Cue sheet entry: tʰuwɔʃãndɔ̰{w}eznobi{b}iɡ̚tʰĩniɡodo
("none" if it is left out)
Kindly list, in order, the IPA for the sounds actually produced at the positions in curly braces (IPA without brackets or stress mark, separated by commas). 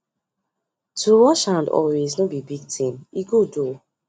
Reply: w, b